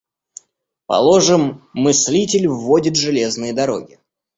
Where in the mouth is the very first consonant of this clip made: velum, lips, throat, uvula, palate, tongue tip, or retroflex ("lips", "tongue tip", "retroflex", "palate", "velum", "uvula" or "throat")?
lips